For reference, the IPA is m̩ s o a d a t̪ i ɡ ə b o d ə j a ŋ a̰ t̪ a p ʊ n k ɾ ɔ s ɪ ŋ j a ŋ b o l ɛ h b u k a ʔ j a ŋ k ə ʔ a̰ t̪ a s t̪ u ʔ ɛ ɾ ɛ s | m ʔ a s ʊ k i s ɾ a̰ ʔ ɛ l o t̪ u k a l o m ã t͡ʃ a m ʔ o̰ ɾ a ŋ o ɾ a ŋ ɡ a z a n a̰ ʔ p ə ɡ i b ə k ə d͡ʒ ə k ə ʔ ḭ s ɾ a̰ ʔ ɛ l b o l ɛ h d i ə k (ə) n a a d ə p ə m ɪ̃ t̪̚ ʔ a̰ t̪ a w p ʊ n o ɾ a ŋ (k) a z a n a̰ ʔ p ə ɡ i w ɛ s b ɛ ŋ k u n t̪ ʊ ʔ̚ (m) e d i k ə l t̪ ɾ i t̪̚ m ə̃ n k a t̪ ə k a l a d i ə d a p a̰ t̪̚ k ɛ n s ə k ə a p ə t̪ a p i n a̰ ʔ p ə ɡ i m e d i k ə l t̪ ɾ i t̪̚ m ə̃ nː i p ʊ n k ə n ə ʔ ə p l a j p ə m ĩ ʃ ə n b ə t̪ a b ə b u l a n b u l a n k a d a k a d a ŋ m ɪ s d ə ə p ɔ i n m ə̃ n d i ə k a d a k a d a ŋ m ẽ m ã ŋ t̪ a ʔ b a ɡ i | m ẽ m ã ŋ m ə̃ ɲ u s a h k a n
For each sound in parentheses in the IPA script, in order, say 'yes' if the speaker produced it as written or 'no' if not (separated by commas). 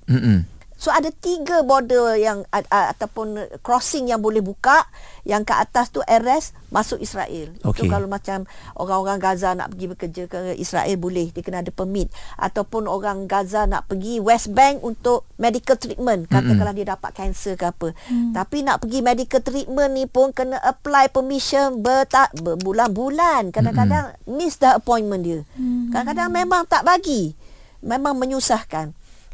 yes, no, yes